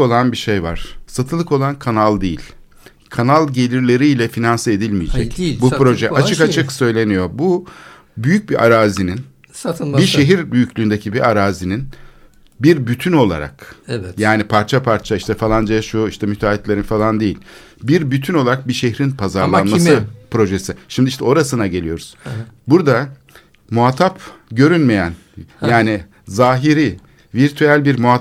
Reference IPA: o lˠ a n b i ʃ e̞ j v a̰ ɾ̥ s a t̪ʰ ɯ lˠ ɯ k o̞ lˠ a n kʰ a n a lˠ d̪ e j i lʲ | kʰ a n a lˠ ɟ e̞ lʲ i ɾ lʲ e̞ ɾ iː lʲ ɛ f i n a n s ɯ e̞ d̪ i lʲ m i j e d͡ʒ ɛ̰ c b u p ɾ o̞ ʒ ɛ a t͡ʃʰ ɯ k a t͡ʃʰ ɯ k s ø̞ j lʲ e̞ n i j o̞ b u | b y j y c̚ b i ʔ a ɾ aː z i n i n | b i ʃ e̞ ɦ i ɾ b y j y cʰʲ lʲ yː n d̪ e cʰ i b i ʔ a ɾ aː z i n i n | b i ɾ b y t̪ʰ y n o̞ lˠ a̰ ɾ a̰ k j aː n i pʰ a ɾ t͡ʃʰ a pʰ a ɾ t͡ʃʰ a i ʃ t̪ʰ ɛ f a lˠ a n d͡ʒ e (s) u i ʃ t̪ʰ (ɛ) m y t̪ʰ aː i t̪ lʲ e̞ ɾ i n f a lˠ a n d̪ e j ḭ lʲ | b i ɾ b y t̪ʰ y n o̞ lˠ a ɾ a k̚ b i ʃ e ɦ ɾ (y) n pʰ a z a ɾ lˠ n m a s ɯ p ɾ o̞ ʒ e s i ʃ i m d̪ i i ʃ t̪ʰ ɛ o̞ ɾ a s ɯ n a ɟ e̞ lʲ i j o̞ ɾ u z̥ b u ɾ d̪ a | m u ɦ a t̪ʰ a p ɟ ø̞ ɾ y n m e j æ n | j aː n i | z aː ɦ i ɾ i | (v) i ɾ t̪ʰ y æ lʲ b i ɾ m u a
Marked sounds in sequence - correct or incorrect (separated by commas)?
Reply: incorrect, correct, incorrect, correct